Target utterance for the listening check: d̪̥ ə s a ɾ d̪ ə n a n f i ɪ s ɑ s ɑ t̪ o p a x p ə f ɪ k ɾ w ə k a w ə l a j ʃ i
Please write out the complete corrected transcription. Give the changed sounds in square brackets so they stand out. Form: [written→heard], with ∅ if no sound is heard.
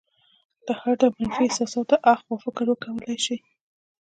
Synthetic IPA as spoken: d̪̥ ə [s→h] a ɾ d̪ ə [n→m] a n f i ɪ s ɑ s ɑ t̪ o [p→ʔ] a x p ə f ɪ k ɾ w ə k a w ə l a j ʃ i